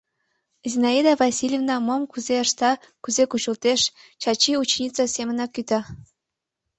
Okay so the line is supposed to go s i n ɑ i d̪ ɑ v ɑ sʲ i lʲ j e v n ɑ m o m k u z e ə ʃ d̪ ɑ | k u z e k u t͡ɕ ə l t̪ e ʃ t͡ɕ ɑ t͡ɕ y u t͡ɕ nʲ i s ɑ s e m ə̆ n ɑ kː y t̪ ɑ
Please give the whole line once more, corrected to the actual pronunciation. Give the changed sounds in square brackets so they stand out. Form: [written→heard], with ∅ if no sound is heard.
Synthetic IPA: [s→z] i n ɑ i d̪ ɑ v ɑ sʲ i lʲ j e v n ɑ m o m k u z e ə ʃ [d̪→t̪] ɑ | k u z e k u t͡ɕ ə l t̪ e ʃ t͡ɕ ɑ t͡ɕ [y→i] u t͡ɕ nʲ i [s→t͡s] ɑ s e m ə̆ n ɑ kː y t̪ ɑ